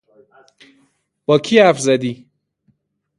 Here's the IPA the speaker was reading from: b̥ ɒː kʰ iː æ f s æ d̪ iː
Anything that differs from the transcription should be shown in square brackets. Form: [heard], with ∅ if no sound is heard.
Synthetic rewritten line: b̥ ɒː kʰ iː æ f [z] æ d̪ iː